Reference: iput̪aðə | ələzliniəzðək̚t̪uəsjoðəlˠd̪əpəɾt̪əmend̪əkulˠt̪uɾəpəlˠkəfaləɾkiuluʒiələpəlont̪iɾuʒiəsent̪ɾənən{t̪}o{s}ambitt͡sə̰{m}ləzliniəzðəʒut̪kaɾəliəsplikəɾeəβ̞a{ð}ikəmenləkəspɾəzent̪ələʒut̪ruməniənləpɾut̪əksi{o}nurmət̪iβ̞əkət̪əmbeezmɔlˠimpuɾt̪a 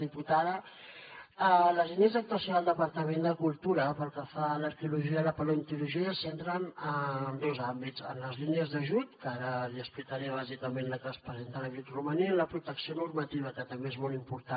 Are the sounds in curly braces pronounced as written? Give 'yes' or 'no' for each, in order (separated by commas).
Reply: no, no, no, no, yes